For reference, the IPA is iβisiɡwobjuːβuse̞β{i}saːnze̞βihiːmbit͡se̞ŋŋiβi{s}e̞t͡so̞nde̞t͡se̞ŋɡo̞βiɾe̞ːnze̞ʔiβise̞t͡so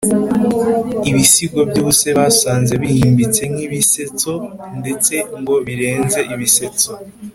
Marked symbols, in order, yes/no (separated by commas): no, yes